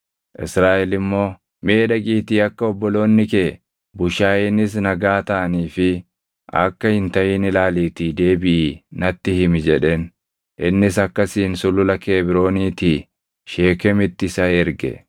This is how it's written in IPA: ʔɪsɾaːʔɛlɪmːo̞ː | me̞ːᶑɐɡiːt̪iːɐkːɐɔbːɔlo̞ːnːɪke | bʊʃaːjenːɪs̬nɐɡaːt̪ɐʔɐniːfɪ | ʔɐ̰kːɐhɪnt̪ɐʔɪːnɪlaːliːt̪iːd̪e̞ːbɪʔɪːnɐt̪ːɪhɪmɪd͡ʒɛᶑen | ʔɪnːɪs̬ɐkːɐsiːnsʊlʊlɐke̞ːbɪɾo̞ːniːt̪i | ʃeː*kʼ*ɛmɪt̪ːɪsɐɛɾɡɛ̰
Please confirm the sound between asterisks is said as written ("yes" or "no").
no